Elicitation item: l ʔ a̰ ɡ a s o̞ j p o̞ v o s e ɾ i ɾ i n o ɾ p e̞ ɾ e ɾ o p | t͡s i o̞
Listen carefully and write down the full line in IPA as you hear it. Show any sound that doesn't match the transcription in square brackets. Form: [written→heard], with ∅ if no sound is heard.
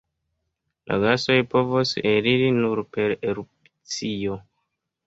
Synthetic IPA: l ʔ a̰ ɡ a s o̞ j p o̞ v o s e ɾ i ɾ i n [o→u] ɾ p e̞ ɾ e ɾ [o→u] p | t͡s i o̞